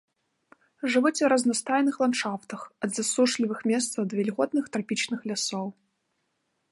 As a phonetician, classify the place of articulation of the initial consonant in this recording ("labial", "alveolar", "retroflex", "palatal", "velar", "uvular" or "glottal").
retroflex